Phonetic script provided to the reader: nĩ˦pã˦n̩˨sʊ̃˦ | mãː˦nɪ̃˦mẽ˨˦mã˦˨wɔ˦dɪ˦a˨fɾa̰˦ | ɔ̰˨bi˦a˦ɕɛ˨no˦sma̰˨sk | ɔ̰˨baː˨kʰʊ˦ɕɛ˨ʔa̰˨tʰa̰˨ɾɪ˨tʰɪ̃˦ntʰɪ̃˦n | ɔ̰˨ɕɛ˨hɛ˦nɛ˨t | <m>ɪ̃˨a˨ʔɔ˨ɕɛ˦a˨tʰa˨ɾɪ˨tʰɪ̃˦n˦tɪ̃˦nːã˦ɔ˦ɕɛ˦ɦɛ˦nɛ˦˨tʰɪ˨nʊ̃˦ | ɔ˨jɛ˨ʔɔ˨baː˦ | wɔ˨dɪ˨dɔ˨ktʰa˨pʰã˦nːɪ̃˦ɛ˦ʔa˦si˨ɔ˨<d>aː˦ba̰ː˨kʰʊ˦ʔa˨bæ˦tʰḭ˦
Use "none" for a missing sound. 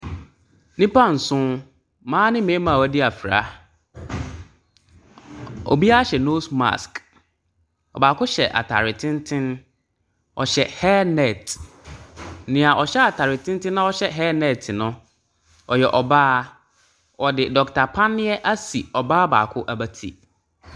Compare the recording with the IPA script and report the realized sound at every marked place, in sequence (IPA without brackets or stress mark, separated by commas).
n, b